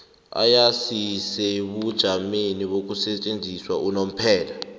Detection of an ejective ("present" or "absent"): present